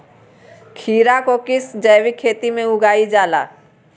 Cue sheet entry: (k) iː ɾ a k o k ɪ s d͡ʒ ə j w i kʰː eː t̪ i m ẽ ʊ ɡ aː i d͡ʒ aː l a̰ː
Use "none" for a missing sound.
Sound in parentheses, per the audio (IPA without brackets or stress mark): kʰ